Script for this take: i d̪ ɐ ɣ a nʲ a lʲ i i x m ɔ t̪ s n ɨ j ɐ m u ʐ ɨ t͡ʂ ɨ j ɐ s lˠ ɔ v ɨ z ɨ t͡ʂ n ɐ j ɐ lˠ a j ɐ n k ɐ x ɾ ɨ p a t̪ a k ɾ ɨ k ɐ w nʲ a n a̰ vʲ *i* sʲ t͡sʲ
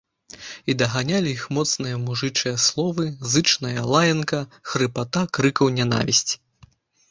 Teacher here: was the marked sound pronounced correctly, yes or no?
yes